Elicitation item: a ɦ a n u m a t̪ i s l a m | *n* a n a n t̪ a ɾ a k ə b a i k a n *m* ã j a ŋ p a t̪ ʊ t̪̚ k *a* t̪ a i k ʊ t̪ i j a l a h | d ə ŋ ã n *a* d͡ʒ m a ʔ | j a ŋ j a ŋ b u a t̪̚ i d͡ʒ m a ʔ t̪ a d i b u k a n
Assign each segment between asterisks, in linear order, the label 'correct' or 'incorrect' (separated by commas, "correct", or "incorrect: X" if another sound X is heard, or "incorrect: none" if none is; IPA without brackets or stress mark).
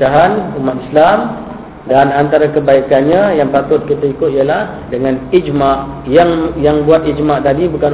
incorrect: d, incorrect: ɲ, incorrect: i, incorrect: i